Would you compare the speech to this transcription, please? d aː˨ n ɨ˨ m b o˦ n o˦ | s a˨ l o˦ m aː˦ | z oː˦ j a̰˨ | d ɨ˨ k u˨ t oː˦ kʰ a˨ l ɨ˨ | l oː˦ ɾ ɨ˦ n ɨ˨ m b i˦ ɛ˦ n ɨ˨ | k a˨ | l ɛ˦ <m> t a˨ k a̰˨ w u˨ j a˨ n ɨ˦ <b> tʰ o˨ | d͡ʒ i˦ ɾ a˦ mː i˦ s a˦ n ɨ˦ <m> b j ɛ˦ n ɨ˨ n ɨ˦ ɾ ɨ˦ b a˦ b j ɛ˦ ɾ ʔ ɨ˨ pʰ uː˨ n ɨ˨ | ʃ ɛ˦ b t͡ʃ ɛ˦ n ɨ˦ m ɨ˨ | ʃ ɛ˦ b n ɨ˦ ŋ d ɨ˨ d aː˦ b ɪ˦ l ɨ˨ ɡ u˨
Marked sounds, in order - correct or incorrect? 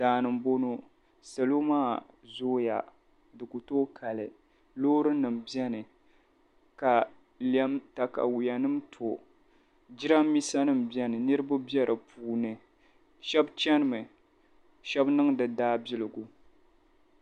correct, incorrect: m, correct

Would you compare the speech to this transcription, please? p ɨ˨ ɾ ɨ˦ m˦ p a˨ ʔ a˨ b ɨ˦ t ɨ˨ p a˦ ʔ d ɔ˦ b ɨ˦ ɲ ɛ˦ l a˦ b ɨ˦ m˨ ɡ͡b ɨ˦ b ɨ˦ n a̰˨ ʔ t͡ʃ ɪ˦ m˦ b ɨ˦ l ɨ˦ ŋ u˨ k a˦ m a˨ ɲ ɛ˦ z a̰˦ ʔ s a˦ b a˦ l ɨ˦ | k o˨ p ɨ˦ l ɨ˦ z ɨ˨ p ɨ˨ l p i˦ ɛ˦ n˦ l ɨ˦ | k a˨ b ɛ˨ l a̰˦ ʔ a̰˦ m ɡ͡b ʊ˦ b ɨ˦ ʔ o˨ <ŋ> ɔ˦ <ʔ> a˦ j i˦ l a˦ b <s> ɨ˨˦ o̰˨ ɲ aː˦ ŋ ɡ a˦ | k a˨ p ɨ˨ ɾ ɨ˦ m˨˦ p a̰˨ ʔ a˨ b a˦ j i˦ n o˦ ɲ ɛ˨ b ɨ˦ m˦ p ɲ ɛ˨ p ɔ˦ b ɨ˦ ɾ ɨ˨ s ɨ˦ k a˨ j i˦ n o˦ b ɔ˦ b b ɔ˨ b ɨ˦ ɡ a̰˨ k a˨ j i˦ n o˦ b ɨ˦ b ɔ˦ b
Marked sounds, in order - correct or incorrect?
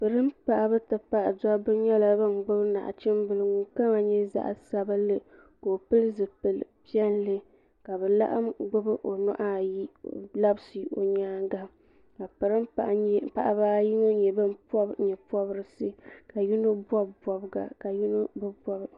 incorrect: n, correct, correct

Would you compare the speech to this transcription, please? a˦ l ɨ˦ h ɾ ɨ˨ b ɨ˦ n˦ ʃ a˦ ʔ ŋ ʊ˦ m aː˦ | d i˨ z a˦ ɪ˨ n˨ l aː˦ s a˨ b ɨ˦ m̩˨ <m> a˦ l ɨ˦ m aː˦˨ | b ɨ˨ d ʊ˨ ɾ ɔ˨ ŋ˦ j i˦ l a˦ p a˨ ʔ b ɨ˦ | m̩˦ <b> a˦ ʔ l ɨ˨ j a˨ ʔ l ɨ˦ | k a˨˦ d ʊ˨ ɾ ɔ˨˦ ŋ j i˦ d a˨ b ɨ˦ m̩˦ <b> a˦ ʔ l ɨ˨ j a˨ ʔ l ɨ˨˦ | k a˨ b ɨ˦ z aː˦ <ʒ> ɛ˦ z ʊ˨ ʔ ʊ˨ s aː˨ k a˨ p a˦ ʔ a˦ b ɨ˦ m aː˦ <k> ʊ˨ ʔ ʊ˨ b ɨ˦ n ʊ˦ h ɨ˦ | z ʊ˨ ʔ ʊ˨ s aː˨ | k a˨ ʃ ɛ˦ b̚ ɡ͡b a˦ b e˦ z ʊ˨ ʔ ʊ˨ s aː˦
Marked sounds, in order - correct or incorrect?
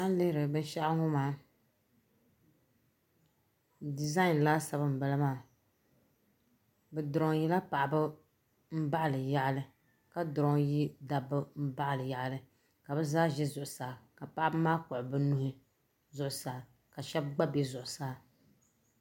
incorrect: b, correct, correct, correct, correct

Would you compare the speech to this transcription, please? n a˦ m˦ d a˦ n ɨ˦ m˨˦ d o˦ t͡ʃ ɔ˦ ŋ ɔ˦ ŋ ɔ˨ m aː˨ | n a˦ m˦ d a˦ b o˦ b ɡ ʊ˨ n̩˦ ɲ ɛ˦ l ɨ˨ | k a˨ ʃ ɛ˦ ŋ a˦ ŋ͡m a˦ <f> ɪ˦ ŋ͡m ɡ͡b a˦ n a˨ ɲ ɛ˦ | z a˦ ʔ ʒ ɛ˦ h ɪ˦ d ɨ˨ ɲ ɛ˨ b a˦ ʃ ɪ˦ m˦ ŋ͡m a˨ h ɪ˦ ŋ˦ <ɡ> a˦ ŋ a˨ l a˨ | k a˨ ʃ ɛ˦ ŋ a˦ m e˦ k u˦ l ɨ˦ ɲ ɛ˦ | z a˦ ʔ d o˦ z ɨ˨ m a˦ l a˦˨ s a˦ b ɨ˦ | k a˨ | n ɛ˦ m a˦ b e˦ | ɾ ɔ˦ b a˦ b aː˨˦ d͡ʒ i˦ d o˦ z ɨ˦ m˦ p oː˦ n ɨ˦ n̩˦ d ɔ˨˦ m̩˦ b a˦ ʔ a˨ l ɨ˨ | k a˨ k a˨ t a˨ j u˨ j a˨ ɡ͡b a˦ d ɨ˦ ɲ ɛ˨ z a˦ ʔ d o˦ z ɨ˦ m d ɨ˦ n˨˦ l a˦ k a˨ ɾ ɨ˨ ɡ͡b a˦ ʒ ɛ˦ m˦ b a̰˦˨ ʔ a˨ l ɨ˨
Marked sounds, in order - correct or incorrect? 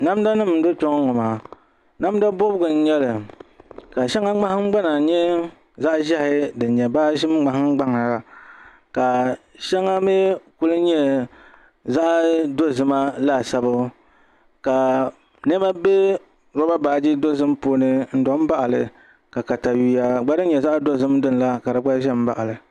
incorrect: h, incorrect: ɡ͡b

